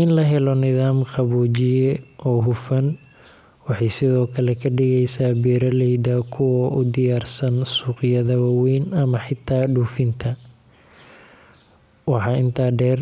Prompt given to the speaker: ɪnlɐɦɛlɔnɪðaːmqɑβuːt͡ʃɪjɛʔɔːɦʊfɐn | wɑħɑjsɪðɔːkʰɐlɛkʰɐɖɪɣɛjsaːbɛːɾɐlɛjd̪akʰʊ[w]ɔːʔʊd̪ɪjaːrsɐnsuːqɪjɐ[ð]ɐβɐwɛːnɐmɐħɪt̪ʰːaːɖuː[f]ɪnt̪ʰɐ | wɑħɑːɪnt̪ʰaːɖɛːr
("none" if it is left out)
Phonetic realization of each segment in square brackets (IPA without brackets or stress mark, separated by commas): w, ð, f